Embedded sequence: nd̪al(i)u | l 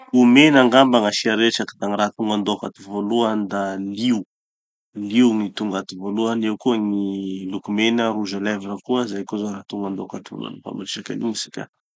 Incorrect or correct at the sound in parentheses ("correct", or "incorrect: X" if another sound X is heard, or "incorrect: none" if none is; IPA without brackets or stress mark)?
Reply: correct